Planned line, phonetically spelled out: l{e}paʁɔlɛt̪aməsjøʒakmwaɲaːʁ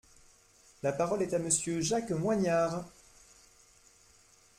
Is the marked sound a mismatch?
yes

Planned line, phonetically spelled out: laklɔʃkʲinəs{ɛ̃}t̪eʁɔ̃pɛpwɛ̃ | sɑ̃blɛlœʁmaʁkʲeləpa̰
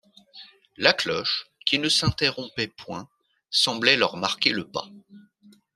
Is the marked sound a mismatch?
no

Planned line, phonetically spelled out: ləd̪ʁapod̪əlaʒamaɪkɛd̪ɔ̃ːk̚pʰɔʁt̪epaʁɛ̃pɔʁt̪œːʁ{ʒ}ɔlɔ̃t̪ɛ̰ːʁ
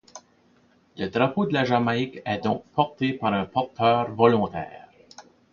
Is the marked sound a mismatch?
yes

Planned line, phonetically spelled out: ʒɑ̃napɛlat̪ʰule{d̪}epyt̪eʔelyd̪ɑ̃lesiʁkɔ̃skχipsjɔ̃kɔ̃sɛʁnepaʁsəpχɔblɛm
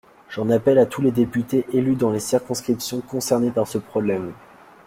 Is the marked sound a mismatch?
no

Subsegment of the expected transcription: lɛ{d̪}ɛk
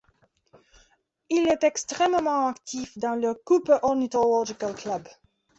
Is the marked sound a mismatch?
yes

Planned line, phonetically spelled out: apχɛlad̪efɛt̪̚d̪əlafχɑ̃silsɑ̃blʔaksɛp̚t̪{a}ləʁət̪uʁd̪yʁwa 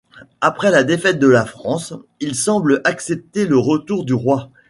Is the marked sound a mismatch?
yes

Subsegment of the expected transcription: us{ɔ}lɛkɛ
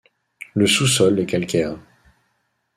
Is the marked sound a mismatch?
no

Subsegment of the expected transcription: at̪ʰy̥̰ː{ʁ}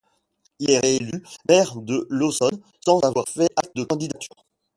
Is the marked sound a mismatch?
no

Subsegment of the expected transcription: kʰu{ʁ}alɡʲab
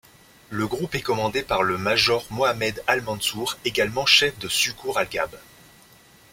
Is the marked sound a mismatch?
no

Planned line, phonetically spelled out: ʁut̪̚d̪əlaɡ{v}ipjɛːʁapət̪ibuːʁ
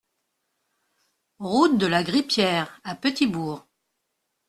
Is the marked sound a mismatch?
yes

